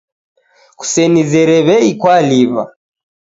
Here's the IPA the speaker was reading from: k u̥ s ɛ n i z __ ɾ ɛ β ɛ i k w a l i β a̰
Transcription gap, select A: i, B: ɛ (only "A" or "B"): B